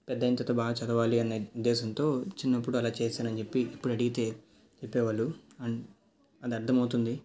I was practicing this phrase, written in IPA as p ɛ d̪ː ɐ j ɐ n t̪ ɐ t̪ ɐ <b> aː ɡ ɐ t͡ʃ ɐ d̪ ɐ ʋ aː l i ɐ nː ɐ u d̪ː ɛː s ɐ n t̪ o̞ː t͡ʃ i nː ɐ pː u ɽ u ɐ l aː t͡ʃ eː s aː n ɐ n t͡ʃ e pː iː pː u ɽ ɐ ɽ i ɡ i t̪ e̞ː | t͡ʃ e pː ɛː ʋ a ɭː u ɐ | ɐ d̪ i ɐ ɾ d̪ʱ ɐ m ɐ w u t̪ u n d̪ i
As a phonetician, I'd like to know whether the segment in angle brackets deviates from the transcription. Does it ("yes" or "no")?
no